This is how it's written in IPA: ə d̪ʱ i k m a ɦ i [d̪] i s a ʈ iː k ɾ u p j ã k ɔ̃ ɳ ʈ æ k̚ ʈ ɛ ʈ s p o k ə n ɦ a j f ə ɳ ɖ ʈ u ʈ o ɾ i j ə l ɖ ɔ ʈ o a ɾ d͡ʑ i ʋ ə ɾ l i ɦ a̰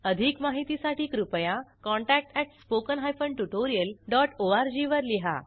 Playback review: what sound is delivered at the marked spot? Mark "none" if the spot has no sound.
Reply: t̪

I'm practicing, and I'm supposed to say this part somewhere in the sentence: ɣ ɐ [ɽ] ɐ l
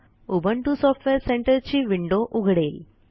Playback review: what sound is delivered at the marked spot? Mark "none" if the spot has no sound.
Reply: ɽ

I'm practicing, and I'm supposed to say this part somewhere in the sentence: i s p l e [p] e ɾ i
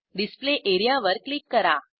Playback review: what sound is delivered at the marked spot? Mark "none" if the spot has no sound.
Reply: ʔ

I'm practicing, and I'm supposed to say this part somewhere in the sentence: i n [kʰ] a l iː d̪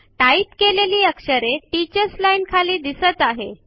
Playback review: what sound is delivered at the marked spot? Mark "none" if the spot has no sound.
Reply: kʰ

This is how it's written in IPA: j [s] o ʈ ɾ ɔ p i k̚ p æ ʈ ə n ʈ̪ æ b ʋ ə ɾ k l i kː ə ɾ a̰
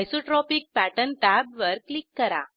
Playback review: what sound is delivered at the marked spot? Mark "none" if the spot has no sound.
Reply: s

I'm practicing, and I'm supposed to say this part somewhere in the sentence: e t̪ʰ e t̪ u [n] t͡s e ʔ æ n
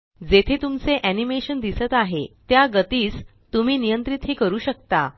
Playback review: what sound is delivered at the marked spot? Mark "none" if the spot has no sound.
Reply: m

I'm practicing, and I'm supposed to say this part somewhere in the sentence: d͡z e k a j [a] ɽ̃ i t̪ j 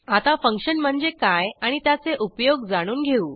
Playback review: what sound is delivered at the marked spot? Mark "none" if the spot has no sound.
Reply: a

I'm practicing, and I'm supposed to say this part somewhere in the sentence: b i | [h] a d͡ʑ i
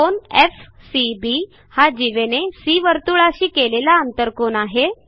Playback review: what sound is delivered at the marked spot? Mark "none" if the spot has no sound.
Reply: h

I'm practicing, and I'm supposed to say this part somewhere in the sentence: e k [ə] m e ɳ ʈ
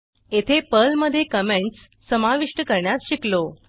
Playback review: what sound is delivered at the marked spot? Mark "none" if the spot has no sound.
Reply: ə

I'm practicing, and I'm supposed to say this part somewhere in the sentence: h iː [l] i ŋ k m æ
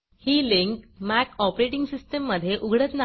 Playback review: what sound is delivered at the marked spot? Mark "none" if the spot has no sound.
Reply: l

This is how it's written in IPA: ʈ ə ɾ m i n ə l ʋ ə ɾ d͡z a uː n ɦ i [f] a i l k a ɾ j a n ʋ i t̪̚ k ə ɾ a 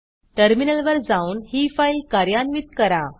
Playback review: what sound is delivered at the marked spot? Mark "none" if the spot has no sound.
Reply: f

